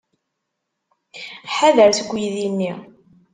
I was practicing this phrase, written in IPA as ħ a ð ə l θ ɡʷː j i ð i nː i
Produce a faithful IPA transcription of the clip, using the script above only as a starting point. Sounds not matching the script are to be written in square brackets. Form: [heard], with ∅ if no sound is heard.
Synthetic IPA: ħ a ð ə [ɾ] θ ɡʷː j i ð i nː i

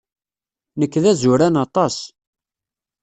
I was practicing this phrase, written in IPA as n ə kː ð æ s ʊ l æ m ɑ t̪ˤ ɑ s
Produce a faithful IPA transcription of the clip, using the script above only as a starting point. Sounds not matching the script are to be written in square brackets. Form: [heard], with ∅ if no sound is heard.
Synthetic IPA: n ə kː ð æ [z] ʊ [ɾ] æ [n] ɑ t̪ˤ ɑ s

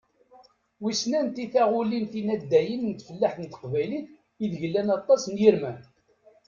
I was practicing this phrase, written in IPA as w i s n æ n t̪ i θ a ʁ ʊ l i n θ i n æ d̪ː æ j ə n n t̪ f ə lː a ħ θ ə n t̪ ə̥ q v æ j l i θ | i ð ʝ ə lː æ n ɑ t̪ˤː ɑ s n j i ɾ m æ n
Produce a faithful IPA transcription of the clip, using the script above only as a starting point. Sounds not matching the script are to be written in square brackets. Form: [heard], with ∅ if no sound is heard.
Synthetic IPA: w i s n æ n t̪ i θ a ʁ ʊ l i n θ i n æ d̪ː æ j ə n n t̪ f ə lː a ħ θ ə n t̪ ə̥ q v æ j l i θ | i ð ʝ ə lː æ n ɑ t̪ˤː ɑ s n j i ɾ m æ n

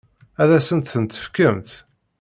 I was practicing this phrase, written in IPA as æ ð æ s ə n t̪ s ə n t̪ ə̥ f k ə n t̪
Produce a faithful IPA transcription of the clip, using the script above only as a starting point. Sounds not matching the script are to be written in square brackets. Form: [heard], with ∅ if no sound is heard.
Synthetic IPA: æ ð æ s ə n t̪ [θ] ə n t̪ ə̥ f k ə [m] t̪

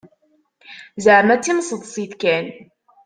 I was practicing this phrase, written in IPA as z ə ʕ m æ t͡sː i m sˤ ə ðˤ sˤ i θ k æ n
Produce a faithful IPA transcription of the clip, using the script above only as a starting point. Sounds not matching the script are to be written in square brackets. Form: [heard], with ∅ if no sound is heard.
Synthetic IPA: z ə ʕ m æ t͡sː i m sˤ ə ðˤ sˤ i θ k æ n

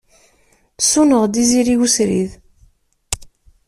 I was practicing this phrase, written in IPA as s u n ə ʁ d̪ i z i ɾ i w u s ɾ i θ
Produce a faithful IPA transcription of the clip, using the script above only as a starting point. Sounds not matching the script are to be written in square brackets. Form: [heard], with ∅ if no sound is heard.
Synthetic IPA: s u n ə ʁ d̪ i z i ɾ i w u s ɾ i [ð]

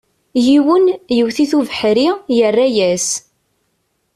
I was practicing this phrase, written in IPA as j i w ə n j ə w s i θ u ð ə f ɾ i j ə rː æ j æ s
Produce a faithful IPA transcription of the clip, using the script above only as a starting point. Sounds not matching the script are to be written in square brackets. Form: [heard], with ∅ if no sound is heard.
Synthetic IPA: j i w ə n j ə w [θ] i θ u [v] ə [ħ] ɾ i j ə rː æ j æ s

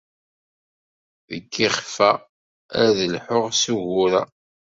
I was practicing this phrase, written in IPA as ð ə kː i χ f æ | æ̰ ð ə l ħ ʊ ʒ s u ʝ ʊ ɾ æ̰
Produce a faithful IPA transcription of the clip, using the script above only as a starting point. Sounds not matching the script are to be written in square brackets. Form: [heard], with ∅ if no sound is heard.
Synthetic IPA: ð ə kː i χ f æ | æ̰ ð ə l ħ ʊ [ʁ] s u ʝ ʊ ɾ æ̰

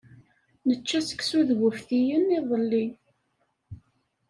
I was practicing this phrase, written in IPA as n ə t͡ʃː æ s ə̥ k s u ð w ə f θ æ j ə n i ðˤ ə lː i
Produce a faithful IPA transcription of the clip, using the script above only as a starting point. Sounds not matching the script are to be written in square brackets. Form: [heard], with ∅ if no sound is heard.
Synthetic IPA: n ə t͡ʃː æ s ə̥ k s u ð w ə f θ [i] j ə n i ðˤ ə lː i

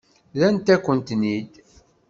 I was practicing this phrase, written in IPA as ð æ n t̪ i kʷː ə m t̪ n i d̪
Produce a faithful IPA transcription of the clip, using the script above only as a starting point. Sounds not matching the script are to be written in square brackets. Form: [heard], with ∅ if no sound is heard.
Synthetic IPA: ð æ n t̪ [æ] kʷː ə [n] t̪ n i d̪

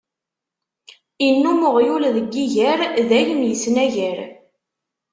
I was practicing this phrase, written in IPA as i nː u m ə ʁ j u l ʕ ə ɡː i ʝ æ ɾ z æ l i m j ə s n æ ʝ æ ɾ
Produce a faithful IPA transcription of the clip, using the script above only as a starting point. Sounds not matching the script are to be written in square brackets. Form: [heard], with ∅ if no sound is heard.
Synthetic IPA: i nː u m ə ʁ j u l [ð] ə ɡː i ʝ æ ɾ [ð] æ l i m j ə s n æ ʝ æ ɾ

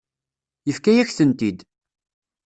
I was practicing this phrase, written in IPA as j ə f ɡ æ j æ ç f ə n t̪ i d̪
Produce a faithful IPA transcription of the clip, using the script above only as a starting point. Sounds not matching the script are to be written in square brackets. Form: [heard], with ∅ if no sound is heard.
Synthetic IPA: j ə f [k] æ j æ ç [θ] ə n t̪ i d̪

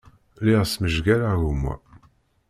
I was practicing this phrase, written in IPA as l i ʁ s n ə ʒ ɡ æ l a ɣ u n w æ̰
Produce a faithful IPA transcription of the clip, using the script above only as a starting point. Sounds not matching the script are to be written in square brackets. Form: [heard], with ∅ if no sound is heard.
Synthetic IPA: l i ʁ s [m] ə ʒ ɡ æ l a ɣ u [m] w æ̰

